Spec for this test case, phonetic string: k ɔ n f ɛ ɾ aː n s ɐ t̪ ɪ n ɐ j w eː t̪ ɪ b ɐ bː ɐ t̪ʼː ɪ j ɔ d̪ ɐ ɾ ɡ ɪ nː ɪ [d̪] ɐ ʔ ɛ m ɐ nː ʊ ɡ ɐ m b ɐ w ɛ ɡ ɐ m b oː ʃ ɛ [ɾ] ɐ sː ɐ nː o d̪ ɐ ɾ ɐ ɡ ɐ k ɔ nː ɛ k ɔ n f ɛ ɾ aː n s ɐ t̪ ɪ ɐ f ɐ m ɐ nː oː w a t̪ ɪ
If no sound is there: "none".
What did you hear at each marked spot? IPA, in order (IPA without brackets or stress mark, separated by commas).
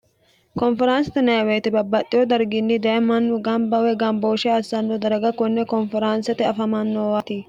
d̪, none